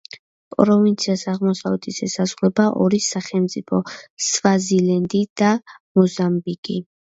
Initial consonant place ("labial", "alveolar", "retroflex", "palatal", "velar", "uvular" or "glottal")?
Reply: labial